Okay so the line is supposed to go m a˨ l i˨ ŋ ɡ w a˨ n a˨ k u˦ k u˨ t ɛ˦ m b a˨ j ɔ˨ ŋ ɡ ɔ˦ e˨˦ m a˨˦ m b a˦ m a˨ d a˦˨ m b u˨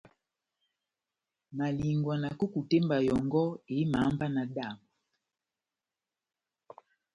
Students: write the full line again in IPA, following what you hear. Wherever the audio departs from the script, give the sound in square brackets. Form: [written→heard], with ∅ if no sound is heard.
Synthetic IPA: m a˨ l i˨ ŋ ɡ w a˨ n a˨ k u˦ k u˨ t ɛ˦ m b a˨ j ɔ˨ ŋ ɡ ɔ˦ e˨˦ m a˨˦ m b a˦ [m→n] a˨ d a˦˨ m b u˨